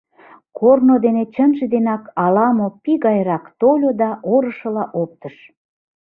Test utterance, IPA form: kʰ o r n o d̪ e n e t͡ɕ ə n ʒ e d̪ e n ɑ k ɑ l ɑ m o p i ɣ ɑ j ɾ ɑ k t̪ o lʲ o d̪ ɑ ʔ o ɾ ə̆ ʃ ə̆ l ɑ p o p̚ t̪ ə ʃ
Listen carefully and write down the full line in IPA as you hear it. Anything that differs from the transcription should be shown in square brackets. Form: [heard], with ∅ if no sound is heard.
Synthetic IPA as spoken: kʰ o r n o d̪ e n e t͡ɕ ə n ʒ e d̪ e n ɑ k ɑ l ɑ m o p i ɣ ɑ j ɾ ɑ k t̪ o lʲ o d̪ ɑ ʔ o ɾ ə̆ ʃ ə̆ l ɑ [ʔ] o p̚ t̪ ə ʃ